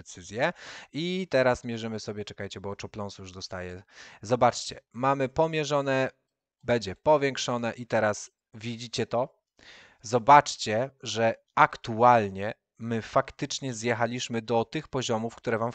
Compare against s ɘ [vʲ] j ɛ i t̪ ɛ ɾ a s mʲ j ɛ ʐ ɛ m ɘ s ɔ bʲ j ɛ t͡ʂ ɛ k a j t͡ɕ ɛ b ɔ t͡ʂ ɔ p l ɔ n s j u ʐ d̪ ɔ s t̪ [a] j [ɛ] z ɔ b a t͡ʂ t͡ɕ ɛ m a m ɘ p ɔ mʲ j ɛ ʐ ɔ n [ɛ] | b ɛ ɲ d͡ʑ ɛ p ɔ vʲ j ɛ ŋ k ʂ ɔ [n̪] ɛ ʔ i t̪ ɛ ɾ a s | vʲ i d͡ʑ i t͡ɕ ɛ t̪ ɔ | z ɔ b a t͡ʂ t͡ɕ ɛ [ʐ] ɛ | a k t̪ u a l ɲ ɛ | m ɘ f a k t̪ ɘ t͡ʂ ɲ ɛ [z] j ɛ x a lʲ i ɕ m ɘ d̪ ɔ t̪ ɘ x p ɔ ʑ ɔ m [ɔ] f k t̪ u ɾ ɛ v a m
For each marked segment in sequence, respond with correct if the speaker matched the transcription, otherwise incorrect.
incorrect: zʲ, correct, correct, correct, correct, correct, correct, incorrect: u

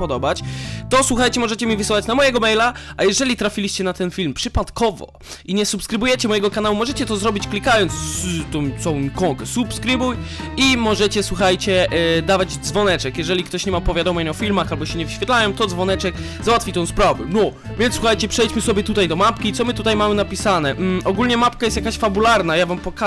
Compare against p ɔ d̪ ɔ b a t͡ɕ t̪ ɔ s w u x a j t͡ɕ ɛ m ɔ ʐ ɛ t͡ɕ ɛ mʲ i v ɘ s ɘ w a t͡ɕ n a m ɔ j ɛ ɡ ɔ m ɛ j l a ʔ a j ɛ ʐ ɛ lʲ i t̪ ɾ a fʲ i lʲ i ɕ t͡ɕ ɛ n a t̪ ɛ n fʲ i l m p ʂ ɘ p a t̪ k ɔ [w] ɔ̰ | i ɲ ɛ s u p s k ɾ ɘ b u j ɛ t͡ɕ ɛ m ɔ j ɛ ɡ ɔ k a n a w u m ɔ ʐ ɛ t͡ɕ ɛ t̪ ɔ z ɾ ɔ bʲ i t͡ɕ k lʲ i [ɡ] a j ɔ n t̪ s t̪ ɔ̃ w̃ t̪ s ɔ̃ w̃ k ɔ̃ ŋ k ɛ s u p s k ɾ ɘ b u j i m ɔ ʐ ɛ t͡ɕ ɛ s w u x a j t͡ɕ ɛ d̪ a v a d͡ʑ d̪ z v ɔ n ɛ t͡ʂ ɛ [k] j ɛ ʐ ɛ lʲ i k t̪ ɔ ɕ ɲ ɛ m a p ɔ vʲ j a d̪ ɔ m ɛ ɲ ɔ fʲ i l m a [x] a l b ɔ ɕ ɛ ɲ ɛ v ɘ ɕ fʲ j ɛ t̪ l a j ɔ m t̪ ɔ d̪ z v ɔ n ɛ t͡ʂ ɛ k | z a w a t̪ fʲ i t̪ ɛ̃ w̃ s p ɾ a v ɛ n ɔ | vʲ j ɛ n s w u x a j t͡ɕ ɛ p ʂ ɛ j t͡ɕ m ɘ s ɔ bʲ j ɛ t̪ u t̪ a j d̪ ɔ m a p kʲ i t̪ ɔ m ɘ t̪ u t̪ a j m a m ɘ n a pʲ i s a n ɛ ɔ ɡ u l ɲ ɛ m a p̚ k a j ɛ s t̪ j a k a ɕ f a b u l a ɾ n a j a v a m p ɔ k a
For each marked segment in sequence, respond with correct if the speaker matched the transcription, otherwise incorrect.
incorrect: v, incorrect: k, correct, correct

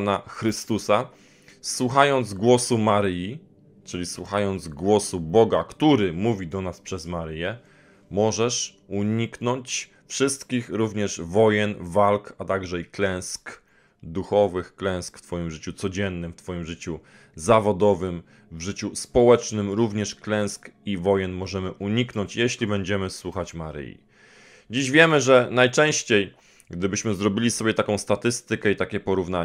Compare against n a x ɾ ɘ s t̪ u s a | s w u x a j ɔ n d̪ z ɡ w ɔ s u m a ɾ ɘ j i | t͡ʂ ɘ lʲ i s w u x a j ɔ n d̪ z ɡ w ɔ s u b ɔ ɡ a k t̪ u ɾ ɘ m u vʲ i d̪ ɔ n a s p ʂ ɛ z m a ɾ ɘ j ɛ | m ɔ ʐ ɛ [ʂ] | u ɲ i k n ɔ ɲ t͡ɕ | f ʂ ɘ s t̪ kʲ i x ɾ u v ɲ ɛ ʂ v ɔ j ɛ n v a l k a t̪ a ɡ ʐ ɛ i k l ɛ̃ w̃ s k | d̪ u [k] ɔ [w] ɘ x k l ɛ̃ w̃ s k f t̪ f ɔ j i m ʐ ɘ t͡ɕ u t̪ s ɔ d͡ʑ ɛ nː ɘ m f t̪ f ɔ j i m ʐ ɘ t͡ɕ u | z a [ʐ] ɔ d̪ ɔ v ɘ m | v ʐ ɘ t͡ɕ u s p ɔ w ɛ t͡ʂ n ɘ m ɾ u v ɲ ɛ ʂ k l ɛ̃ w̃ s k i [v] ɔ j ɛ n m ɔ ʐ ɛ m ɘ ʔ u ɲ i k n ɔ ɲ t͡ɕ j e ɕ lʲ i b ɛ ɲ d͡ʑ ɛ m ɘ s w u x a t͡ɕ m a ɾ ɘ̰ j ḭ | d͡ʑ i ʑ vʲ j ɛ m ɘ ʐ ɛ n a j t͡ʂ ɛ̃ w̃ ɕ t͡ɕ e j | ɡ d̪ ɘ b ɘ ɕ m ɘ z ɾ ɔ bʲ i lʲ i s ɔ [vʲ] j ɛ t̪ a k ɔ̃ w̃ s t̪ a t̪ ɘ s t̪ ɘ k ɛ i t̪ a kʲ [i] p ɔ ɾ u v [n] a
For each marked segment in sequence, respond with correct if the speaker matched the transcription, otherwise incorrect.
correct, incorrect: x, incorrect: v, incorrect: v, correct, incorrect: bʲ, incorrect: ɛ, correct

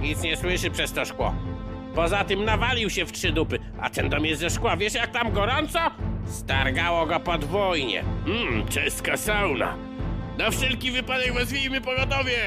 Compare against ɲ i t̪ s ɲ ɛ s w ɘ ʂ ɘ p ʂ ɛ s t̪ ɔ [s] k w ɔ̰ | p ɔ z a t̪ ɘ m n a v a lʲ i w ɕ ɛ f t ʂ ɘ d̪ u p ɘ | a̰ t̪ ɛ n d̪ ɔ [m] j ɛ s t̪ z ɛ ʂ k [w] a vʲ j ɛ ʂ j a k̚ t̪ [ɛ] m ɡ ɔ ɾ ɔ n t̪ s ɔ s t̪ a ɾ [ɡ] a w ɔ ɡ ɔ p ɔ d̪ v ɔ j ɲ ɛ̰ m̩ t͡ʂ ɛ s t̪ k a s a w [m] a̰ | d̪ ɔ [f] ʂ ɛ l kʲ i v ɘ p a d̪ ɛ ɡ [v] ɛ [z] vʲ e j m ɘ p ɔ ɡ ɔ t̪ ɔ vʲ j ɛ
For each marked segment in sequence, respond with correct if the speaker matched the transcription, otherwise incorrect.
incorrect: ʂ, correct, correct, incorrect: a, correct, incorrect: n, correct, correct, correct

